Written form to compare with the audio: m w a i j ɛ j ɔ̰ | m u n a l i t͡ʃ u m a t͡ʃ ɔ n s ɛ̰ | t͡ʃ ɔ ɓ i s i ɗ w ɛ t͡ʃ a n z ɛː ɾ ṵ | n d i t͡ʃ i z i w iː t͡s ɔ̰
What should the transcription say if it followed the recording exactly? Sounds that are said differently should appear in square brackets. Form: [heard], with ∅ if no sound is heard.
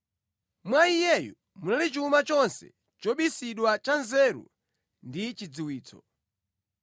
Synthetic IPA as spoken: m w a i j ɛ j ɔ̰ | m u n a l i t͡ʃ u m a t͡ʃ ɔ n s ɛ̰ | t͡ʃ ɔ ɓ i s i ɗ w [a] t͡ʃ a n z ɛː ɾ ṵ | n d i t͡ʃ i [d͡z] i w iː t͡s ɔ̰